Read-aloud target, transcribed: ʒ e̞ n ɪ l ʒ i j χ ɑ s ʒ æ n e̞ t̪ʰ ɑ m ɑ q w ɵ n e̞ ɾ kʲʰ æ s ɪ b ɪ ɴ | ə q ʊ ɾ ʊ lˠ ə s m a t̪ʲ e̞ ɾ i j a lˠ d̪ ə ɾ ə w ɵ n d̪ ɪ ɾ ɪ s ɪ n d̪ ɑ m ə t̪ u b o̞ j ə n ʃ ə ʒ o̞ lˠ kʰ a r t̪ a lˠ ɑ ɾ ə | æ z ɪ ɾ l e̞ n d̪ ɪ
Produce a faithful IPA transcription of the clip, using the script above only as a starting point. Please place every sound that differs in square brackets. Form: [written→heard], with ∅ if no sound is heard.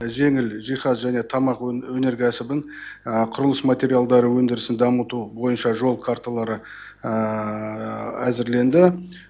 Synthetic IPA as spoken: ʒ e̞ [n→ŋ] ɪ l ʒ i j χ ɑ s ʒ æ n e̞ t̪ʰ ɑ m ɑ q w ɵ n e̞ ɾ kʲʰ æ s ɪ b ɪ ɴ | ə [q→qʰ] ʊ ɾ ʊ lˠ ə s m a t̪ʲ e̞ ɾ i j a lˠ d̪ [ə→ɑ] ɾ ə w ɵ n d̪ ɪ ɾ ɪ s ɪ n d̪ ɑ m ə t̪ u b o̞ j ə n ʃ [ə→ɑ] ʒ o̞ lˠ kʰ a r t̪ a lˠ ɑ ɾ ə | æ z ɪ ɾ l e̞ n d̪ ɪ